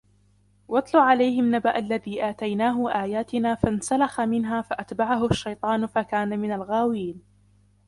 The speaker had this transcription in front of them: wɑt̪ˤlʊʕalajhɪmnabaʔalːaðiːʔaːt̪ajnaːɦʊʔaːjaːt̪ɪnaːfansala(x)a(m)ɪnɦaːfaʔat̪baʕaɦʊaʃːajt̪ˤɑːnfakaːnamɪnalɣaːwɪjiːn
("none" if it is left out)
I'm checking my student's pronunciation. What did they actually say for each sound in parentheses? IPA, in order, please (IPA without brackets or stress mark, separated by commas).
x, m